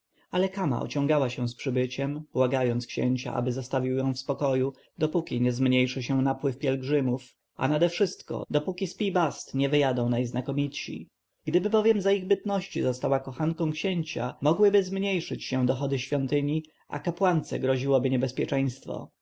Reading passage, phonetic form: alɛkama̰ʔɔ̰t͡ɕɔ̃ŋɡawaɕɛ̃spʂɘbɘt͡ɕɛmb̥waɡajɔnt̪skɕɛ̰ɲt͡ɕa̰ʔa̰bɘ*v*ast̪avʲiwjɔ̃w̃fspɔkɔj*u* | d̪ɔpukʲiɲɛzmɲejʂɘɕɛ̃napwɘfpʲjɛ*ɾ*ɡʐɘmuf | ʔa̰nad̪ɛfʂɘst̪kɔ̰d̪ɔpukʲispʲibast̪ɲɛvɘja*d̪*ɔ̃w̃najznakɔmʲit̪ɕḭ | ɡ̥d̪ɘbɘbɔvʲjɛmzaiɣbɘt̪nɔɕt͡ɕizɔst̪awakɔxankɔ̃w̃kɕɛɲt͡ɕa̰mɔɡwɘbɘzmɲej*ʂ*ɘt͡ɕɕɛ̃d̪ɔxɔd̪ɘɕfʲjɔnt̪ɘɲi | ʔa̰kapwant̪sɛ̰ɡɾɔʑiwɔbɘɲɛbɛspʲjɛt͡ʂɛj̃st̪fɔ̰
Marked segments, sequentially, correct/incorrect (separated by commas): incorrect, correct, incorrect, correct, correct